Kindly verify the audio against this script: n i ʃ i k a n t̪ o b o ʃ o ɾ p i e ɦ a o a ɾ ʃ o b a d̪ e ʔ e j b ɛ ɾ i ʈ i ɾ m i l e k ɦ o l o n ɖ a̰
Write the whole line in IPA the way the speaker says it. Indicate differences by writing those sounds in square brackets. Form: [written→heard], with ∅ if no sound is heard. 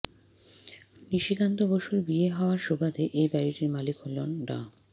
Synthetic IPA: n i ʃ i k a n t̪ o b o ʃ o ɾ [p→b] i e ɦ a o a ɾ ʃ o b a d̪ e ʔ e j b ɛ ɾ i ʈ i ɾ m [i→a] l [e→i] k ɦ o l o n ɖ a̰